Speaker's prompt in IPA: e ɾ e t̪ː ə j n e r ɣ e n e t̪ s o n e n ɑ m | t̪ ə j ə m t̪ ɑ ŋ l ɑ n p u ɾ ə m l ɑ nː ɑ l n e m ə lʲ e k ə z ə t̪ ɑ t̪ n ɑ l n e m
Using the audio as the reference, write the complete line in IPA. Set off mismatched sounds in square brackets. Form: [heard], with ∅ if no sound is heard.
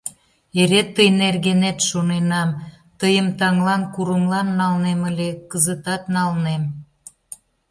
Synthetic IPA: e ɾ e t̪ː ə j n e r ɣ e n e t̪ [ʃ] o n e n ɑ m | t̪ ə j ə m t̪ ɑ ŋ l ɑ n [k] u ɾ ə m l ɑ nː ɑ l n e m ə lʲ e k ə z ə t̪ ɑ t̪ n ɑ l n e m